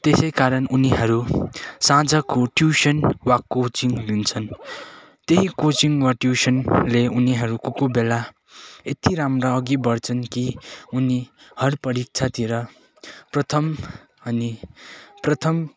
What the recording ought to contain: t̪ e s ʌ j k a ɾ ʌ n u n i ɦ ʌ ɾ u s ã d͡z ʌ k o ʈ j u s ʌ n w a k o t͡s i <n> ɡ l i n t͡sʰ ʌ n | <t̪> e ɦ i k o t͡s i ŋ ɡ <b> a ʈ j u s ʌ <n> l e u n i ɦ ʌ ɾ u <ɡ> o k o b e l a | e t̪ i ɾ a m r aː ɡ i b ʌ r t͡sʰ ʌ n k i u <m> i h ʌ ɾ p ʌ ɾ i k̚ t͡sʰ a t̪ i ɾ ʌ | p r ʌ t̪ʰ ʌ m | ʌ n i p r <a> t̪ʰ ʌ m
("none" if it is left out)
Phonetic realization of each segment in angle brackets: ŋ, t̪, w, n, k, n, ʌ

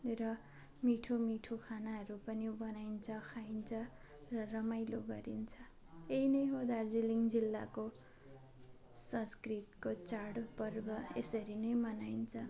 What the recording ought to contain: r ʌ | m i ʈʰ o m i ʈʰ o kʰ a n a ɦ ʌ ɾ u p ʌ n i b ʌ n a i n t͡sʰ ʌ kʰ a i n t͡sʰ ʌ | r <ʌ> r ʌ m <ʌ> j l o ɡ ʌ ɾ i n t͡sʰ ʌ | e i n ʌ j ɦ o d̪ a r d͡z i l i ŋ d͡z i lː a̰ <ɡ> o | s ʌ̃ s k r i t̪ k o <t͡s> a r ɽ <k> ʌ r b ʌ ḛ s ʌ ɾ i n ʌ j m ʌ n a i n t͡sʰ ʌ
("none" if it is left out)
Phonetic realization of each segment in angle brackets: ʌ, a, k, t͡s, p

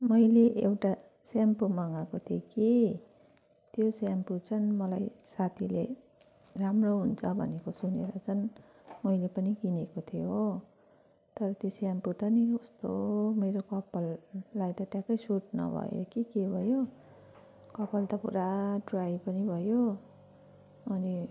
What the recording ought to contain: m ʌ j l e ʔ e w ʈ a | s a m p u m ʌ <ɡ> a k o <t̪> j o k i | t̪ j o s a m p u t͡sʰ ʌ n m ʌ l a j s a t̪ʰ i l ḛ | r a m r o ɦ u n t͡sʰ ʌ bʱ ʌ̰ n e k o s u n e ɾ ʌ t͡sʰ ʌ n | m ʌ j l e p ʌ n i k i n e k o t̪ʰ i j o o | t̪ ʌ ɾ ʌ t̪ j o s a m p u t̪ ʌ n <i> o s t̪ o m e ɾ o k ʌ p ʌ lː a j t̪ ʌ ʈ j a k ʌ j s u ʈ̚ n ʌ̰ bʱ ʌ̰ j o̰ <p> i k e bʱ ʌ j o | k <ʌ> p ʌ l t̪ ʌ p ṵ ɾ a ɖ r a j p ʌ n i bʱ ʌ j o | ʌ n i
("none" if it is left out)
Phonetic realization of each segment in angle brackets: ŋ, t̪ʰ, i, k, ʌ

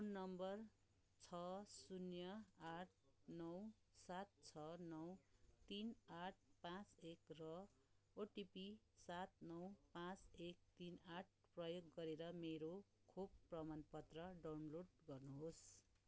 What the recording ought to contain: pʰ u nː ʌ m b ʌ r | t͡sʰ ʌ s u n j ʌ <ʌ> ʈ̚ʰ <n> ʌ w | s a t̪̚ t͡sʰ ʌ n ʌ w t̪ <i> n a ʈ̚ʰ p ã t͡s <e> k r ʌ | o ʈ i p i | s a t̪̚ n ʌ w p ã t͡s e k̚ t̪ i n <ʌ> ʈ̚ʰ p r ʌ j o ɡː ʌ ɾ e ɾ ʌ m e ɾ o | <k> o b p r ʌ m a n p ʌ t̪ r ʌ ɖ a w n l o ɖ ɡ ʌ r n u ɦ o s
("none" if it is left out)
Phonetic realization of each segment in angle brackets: a, n, i, e, a, kʰ

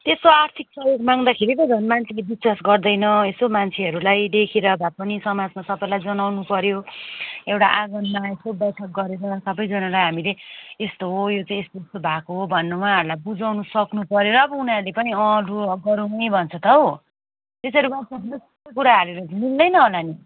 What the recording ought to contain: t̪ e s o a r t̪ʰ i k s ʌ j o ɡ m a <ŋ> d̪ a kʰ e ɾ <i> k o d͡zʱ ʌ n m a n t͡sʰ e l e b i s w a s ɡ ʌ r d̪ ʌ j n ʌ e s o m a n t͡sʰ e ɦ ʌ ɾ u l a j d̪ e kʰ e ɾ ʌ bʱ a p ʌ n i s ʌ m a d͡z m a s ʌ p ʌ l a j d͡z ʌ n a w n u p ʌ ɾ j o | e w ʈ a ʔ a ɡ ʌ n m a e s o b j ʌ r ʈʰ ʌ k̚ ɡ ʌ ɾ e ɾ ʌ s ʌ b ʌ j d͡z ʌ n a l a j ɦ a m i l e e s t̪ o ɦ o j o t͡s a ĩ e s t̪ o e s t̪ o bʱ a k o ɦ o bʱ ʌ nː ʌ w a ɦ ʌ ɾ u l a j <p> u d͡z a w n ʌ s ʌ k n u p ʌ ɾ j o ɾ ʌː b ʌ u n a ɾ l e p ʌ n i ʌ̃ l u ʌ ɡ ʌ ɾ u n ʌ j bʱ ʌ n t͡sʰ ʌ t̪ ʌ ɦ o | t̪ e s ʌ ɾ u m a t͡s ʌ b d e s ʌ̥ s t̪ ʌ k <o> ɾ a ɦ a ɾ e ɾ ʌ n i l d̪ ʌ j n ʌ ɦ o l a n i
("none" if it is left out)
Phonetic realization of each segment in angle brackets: ŋ, i, b, u

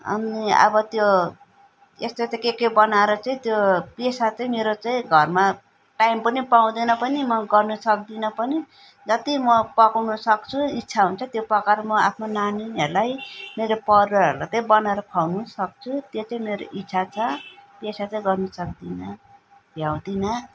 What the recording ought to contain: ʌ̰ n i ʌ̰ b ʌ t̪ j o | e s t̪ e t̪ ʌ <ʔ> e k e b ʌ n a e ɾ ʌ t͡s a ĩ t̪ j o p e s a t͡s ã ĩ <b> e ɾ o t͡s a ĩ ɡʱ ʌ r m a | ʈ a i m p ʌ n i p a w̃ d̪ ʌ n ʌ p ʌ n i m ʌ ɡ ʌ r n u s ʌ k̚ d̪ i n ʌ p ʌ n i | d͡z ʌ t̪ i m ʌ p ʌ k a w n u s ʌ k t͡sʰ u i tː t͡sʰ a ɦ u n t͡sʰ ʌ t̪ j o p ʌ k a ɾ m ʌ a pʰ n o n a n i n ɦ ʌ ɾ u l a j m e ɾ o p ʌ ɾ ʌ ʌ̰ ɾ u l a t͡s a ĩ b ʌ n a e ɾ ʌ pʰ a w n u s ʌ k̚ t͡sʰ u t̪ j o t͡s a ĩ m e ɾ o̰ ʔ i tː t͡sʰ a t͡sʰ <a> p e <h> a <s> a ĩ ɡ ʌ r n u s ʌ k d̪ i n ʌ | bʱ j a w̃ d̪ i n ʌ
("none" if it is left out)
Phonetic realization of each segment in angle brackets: k, m, ʌ, s, t͡s

